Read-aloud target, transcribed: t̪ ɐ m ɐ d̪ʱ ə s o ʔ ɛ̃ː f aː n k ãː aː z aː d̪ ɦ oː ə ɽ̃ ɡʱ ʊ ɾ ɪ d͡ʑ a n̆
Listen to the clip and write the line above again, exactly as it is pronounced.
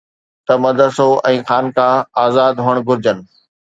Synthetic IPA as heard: t̪ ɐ m ɐ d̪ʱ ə s o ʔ ɛ̃ː x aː n k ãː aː z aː d̪ ɦ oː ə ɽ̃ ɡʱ ʊ ɾ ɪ d͡ʑ ə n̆

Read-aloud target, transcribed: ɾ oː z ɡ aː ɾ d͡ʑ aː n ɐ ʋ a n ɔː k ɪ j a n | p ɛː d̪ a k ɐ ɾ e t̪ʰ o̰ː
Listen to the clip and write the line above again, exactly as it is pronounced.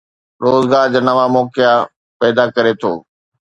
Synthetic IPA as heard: ɾ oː z ɡ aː ɾ d͡ʑ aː n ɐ ʋ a m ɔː k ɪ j a | p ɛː d̪ a k ɐ ɾ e t̪ʰ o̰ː

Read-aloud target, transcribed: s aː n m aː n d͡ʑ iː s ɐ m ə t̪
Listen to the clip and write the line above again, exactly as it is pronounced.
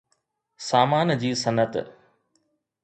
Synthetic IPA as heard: s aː m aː n d͡ʑ iː s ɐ n ə t̪

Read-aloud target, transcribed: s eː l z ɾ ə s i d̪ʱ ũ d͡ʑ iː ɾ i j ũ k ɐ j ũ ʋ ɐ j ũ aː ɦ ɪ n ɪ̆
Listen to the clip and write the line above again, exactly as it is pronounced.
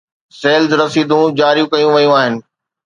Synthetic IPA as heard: s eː l z ɾ ɐ s iː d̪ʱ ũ d͡ʑ aː ɾ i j ũ k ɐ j ũ ʋ ɐ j ũ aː ɦ ɪ n ɪ̆

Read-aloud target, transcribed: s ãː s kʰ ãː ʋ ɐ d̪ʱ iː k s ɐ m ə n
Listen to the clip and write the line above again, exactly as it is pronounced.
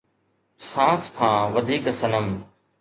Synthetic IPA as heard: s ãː s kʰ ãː ʋ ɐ d̪ʱ iː k s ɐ n ə m

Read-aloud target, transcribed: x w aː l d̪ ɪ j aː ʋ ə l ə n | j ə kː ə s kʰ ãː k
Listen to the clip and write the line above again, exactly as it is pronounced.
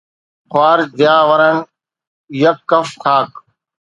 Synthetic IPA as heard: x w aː ɾ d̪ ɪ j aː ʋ ə ɾ ə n | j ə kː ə f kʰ aː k

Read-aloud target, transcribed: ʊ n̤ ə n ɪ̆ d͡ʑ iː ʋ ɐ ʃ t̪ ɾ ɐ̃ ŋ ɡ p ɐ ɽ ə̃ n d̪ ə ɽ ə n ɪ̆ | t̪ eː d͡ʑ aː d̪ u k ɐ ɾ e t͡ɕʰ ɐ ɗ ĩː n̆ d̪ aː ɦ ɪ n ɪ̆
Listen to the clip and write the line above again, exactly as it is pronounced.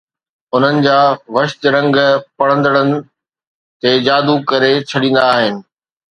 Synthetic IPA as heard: ʊ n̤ ə n ɪ̆ d͡ʑ aː ʋ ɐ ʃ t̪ ɾ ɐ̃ ŋ ɡ p ɐ ɽ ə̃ n d̪ ə ɽ ə n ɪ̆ | t̪ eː d͡ʑ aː d̪ u k ɐ ɾ e t͡ɕʰ ɐ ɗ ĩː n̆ d̪ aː ɦ ɪ n ɪ̆

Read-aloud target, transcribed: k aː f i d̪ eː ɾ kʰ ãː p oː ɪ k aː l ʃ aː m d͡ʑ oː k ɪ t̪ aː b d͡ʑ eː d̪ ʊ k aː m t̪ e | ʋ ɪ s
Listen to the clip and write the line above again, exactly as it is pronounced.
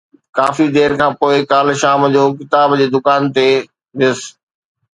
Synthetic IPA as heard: k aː f i d̪ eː ɾ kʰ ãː p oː ɪ k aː l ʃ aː m d͡ʑ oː k ɪ t̪ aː b d͡ʑ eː d̪ ʊ k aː n t̪ e | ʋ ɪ s

